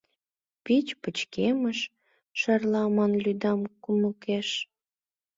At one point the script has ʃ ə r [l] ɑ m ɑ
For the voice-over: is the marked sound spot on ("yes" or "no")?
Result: yes